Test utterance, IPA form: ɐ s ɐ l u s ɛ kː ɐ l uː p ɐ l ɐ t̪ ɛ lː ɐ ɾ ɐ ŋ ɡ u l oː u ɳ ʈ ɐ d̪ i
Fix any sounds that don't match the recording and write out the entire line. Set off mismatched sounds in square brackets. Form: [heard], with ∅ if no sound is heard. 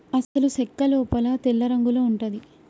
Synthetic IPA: ɐ s ɐ l u s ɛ kː ɐ l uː p ɐ l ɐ t̪ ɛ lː ɐ ɾ ɐ ŋ ɡ u l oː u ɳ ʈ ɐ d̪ i